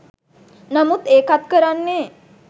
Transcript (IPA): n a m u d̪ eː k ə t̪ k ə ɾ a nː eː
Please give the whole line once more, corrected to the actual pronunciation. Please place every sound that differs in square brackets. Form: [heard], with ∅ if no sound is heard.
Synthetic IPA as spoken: n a m u [t̪] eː k [a] t̪ k ə ɾ a nː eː